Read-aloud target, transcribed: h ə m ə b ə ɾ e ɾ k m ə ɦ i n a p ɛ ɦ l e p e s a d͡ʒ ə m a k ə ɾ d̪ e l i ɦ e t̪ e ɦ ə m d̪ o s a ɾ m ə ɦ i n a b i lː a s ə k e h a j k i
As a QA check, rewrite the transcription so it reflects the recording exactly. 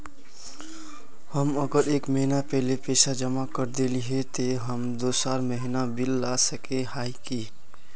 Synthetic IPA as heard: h ə m ə ɡ ə ɾ e k m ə ɦ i n a p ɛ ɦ l e p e s a d͡ʒ ə m a k ə ɾ d̪ e l i ɦ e t̪ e ɦ ə m d̪ o s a ɾ m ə ɦ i n a b i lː a s ə k e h a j k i